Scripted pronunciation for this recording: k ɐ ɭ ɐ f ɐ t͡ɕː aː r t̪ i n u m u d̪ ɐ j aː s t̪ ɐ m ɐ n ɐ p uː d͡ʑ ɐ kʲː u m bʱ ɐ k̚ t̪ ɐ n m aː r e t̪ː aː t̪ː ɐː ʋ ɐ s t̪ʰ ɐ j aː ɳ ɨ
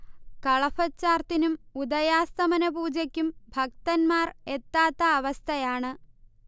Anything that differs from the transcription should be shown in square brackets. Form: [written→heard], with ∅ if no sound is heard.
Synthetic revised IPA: k ɐ ɭ ɐ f ɐ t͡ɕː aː r t̪ i n u m u d̪ ɐ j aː s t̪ ɐ m ɐ n ɐ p uː d͡ʑ ɐ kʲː u m bʱ ɐ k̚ t̪ ɐ n m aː r e t̪ː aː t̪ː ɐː ʋ ɐ s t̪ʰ ɐ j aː ɳ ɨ